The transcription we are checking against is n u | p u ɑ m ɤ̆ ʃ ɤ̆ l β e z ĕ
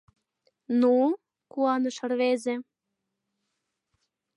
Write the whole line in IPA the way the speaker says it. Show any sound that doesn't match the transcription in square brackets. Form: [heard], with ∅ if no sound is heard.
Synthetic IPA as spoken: n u | [k] u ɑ [n] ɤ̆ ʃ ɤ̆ [r] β e z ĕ